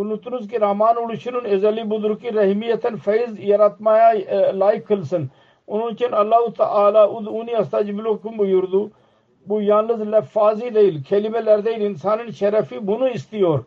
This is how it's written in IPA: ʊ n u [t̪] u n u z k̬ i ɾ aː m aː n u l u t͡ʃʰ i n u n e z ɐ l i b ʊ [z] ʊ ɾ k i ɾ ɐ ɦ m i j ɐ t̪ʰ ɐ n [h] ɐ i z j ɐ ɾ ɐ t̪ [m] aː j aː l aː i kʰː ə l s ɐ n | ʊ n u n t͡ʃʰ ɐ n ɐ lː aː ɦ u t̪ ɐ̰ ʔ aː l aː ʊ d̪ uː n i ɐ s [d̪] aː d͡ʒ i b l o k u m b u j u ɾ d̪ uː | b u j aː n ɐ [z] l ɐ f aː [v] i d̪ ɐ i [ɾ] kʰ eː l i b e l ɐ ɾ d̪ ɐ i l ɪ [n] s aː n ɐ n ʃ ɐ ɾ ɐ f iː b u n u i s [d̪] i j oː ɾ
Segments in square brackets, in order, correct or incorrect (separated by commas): correct, correct, incorrect, correct, incorrect, correct, incorrect, incorrect, correct, incorrect